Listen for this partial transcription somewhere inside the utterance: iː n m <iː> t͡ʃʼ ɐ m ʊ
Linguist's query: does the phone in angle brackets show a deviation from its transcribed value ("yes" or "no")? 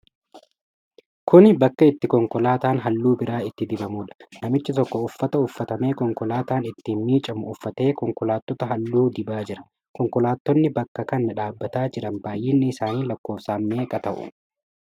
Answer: no